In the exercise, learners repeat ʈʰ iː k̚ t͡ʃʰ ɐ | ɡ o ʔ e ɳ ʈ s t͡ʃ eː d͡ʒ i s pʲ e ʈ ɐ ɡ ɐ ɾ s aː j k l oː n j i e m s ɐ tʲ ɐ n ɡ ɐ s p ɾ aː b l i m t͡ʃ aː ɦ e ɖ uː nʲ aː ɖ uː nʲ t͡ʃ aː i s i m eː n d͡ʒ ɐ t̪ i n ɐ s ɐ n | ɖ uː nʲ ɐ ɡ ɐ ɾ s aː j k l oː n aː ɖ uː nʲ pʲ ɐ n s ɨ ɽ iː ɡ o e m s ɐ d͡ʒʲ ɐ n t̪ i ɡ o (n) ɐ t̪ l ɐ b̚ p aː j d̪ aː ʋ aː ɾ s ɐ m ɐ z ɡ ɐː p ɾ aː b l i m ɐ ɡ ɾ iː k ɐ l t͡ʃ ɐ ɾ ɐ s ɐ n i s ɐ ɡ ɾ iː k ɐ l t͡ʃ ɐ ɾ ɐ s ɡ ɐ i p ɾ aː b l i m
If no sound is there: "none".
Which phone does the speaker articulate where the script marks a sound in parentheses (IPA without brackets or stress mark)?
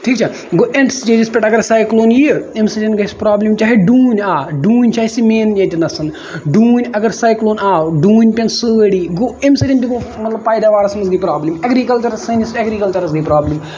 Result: m